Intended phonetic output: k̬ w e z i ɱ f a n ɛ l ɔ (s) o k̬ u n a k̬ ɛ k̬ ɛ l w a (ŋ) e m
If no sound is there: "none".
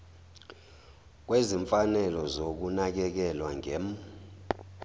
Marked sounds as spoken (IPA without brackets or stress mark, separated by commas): z, ŋ